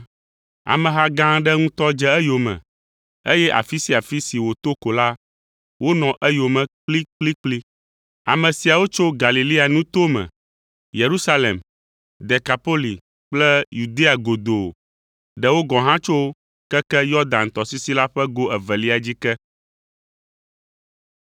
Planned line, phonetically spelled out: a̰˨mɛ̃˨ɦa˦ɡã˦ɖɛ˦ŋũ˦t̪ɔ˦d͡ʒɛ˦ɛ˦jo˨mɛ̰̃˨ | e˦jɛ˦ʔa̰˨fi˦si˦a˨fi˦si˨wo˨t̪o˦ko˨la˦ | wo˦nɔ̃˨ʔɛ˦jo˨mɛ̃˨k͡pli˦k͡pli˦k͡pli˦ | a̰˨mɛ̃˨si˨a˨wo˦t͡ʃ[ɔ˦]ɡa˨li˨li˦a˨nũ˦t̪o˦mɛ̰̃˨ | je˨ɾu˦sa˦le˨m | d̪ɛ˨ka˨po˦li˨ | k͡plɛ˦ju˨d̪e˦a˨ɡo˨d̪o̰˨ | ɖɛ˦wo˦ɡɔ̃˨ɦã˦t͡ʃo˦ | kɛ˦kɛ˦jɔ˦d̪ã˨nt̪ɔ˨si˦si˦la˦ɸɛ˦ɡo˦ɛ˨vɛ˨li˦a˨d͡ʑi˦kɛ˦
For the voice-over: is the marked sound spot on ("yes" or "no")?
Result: no